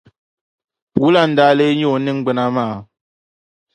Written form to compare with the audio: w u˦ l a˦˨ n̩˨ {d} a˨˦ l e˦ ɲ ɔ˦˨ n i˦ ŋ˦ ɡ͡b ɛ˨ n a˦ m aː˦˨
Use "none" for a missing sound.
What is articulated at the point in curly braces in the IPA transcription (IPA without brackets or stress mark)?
d